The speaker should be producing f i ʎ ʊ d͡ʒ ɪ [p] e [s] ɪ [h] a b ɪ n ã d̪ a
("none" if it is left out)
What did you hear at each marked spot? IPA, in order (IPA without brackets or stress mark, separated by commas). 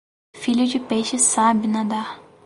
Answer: p, ʃ, s